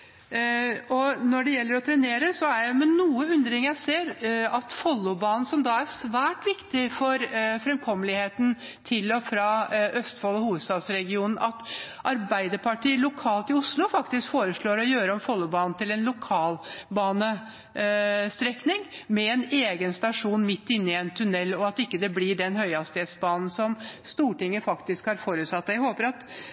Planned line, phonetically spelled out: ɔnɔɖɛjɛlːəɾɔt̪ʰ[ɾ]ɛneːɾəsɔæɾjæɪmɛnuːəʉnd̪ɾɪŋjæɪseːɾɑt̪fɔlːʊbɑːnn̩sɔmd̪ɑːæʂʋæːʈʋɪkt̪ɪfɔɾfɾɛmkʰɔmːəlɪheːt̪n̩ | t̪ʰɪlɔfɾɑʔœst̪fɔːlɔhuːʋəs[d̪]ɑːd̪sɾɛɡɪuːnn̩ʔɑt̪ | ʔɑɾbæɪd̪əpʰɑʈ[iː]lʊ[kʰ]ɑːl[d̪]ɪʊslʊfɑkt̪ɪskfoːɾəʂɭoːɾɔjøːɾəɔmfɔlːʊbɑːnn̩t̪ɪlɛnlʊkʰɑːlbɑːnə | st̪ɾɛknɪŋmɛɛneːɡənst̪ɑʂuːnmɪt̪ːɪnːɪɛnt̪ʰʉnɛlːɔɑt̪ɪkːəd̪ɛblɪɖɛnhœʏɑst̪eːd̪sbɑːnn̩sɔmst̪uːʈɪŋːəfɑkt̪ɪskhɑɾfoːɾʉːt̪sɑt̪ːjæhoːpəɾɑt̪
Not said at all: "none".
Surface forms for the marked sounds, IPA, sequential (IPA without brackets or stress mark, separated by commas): ɾ, t̪, iː, kʰ, t̪